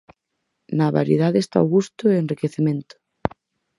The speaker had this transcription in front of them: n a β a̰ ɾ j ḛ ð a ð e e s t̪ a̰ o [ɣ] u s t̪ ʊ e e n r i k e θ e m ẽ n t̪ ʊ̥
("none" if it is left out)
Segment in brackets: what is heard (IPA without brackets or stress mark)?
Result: ɣ